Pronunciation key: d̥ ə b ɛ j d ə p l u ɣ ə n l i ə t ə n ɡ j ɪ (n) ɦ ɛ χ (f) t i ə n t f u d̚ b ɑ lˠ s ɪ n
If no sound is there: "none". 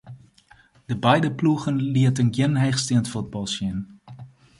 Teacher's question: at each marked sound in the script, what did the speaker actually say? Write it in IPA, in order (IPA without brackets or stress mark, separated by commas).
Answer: n, s